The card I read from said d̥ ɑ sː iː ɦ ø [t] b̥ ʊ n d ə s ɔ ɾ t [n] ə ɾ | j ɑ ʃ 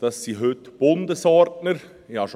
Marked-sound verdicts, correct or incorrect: correct, correct

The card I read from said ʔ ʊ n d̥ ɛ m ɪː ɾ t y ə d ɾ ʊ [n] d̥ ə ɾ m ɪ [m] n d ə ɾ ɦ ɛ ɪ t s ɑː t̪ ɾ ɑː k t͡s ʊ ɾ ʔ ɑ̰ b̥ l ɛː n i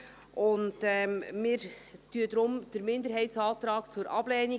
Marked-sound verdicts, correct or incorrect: incorrect: m, incorrect: none

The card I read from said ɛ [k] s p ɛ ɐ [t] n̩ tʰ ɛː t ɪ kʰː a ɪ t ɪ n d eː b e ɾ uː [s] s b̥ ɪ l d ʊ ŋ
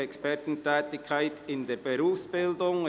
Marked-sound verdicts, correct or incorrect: correct, correct, incorrect: f

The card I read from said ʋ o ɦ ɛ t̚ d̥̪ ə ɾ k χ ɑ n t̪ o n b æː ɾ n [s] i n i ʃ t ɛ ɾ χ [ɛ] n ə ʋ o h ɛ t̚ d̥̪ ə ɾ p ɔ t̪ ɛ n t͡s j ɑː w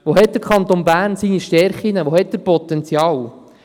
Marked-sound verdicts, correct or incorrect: correct, incorrect: i

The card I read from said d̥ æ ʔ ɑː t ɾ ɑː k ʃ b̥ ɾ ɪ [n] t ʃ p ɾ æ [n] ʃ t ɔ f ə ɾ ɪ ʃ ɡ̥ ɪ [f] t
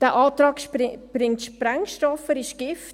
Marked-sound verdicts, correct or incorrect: incorrect: ŋ, incorrect: ŋ, correct

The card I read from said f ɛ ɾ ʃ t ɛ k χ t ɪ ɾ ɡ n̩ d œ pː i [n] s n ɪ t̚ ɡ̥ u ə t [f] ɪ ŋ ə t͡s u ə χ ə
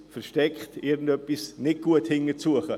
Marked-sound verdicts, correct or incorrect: incorrect: none, incorrect: h

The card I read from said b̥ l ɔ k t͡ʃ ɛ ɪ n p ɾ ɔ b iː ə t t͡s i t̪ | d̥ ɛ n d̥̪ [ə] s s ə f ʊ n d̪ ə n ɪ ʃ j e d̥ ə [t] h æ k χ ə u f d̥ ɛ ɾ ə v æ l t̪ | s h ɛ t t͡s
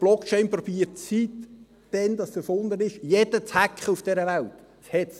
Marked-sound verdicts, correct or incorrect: incorrect: ɑ, incorrect: t͡s

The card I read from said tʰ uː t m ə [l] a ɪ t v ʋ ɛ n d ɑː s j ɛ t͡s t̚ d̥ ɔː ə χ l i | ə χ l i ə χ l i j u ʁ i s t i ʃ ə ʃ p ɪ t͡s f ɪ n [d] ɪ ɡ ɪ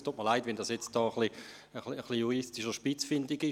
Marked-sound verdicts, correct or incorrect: correct, correct

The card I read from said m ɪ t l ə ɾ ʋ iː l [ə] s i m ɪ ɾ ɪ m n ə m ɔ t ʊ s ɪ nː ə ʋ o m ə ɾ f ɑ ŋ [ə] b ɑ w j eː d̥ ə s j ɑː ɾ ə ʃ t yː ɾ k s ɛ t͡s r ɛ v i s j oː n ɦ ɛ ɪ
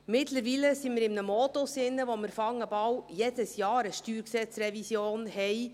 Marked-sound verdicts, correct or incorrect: correct, correct

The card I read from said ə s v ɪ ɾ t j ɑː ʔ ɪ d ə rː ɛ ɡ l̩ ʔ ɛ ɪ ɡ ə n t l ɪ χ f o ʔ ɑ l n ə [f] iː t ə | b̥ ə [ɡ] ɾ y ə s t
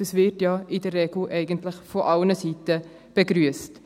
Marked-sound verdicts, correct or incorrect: incorrect: s, correct

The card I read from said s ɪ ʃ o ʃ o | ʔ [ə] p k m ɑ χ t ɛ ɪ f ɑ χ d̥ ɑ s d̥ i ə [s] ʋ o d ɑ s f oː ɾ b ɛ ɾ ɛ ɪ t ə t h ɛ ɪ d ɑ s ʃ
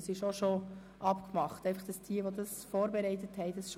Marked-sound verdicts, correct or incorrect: incorrect: ɑ, incorrect: none

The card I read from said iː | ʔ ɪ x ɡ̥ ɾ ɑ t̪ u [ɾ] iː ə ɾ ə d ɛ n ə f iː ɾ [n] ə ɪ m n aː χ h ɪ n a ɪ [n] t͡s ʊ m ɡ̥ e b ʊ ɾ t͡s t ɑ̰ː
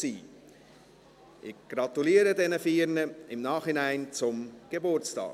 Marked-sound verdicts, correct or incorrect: incorrect: l, correct, correct

